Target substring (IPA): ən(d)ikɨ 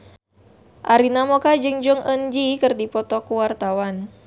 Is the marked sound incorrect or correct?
incorrect